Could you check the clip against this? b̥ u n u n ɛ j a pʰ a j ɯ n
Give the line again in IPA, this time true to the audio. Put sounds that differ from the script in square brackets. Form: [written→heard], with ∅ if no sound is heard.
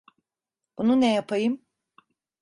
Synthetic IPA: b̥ u n u n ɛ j a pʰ a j ɯ [n→m]